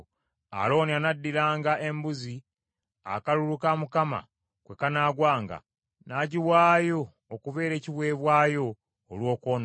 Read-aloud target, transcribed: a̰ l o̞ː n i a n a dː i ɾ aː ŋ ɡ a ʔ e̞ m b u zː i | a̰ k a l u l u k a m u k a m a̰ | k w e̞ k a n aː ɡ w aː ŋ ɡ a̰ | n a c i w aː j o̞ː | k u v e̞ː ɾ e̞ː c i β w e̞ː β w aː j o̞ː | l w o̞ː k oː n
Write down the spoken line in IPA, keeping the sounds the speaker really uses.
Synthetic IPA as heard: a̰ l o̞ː n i a n a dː i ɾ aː ŋ ɡ a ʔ e̞ m b u z i | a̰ k a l u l u k a m u k a m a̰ | k w e̞ k a n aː ɡ w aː ŋ ɡ a̰ | n a ɟ i w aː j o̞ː | k u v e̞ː ɾ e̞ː c i β w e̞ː β w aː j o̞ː | l w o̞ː k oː n